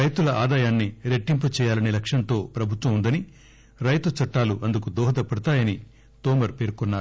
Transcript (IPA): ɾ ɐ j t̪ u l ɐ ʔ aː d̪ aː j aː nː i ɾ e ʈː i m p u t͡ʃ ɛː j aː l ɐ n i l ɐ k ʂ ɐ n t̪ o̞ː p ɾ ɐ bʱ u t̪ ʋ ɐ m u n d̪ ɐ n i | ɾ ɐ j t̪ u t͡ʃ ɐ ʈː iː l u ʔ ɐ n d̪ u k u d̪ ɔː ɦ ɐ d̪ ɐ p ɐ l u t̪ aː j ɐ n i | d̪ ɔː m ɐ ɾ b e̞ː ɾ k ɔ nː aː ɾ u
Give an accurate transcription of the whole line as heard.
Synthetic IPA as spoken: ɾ ɐ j t̪ u l ɐ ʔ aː d̪ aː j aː nː i ɾ e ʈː i m p u t͡ʃ ɛː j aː l ɐ n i l ɐ k ʂ ɐ n t̪ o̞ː p ɾ ɐ bʱ u t̪ ʋ ɐ m u n d̪ ɐ n i | ɾ ɐ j t̪ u t͡ʃ ɐ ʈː aː l u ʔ ɐ n d̪ u k u d̪ ɔː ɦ ɐ d̪ ɐ p ɐ ɽ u t̪ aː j ɐ n i | t̪ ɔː m ɐ ɾ p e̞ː ɾ k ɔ nː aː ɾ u